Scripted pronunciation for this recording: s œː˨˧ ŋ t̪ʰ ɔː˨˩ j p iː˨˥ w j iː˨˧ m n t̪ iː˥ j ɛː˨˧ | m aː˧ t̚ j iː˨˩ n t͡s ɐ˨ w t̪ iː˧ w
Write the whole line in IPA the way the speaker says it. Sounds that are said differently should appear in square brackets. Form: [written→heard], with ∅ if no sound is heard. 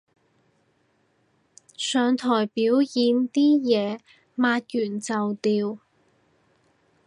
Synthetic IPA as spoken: s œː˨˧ ŋ t̪ʰ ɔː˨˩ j p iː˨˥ w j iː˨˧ [m→∅] n t̪ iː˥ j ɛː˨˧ | m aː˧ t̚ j [iː˨˩→yː˨˩] n t͡s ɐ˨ w t̪ iː˧ w